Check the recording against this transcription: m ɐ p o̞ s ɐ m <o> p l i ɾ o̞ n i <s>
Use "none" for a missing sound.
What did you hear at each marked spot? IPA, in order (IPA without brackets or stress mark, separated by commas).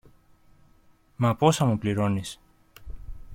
u, s